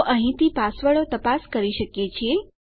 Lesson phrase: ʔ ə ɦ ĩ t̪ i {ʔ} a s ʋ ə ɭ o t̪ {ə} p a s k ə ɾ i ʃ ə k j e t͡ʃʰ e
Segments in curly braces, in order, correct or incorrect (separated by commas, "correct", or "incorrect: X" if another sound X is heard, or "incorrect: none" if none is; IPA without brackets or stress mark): incorrect: p, correct